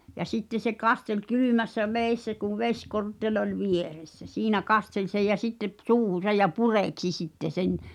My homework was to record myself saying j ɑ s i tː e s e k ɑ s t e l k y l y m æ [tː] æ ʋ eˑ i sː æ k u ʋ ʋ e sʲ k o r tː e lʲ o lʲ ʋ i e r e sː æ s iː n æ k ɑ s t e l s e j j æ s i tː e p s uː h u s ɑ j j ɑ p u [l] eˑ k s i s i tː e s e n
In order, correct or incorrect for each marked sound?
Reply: incorrect: sː, incorrect: r

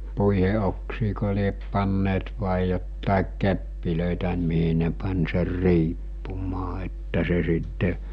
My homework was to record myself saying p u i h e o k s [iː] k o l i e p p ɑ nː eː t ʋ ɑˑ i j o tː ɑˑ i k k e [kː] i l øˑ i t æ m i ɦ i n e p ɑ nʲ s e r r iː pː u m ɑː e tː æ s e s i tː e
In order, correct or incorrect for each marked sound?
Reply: correct, incorrect: pː

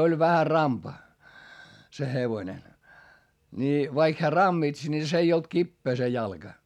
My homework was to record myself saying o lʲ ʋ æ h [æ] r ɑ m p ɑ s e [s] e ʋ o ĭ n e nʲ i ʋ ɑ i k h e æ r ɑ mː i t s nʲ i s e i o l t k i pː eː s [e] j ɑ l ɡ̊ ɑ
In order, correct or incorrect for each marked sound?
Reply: correct, incorrect: h, correct

